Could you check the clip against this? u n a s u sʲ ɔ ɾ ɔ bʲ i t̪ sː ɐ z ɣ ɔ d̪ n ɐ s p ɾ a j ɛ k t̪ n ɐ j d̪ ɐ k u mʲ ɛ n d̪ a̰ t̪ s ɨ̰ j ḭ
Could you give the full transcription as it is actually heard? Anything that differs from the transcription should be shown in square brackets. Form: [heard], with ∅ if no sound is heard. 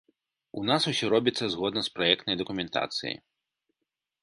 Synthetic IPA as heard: u n a s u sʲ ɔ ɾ ɔ bʲ i t̪ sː ɐ z ɣ ɔ d̪ n ɐ s p ɾ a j ɛ k t̪ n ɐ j d̪ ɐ k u mʲ ɛ n [t̪] a̰ t̪ s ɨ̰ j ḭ